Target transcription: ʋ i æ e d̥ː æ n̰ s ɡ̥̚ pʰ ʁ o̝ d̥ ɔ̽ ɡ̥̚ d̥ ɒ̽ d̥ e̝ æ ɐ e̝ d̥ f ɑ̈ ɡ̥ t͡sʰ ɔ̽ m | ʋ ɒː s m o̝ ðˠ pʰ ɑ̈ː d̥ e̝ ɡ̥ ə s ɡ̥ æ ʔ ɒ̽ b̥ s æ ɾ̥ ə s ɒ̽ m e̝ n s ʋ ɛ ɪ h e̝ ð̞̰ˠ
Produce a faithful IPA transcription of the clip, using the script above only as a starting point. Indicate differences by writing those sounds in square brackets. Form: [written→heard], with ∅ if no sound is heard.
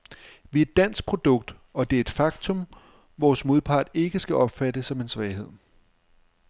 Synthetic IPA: ʋ i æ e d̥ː æ n̰ s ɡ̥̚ pʰ ʁ o̝ d̥ ɔ̽ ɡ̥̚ d̥ ɒ̽ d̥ e̝ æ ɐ e̝ d̥ f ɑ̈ ɡ̥ t͡sʰ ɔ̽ m | ʋ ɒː s m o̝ ðˠ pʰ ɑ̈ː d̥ e̝ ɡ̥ ə s ɡ̥ æ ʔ ɒ̽ b̥ [s→f] æ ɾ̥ ə s ɒ̽ m e̝ n s ʋ ɛ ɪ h e̝ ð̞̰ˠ